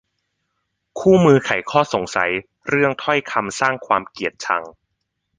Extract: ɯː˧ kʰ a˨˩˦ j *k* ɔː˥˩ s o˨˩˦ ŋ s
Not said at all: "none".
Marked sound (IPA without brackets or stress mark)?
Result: kʰ